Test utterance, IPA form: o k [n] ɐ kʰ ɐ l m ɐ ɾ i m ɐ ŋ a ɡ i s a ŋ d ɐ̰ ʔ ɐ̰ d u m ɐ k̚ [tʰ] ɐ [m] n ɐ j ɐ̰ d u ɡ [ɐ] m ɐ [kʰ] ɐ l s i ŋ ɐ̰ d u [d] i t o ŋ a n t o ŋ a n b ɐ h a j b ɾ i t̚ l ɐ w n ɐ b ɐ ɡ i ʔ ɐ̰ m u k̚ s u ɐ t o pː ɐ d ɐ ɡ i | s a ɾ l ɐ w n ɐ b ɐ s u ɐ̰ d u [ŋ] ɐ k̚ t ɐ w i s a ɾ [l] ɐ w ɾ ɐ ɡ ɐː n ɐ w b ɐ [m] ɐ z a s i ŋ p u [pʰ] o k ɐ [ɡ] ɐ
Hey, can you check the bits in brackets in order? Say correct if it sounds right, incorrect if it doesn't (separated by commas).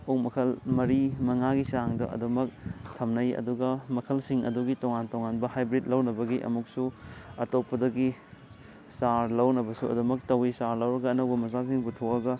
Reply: incorrect, correct, correct, correct, correct, incorrect, incorrect, correct, correct, incorrect, correct